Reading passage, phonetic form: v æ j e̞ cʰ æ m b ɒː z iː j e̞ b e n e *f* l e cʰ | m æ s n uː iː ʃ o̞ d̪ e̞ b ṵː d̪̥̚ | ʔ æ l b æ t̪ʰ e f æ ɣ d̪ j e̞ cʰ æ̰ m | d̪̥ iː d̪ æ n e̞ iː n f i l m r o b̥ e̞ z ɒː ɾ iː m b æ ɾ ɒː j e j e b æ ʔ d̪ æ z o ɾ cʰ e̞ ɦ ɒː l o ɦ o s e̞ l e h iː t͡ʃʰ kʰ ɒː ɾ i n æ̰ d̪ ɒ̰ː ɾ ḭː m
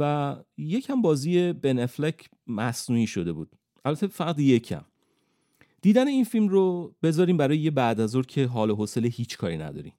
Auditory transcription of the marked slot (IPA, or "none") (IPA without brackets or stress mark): f